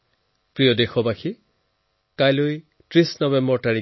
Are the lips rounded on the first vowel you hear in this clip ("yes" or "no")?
no